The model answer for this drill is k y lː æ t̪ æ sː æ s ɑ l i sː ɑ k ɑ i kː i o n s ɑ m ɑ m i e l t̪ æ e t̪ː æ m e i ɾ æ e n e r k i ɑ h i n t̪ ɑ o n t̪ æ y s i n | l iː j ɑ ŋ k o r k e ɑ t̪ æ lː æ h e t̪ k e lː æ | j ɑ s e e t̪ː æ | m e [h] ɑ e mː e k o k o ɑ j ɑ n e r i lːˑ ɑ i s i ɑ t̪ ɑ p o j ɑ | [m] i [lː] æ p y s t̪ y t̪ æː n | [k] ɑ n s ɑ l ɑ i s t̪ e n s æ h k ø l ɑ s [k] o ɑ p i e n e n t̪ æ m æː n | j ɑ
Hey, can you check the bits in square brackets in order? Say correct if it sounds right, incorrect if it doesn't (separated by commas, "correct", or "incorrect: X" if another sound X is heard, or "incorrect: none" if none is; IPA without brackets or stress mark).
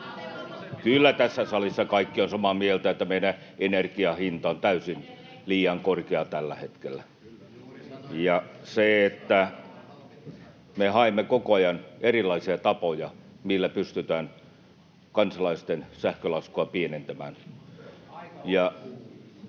correct, correct, correct, correct, correct